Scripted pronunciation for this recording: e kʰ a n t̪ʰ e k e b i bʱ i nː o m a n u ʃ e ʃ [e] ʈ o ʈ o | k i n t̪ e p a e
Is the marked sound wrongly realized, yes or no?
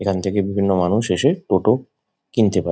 no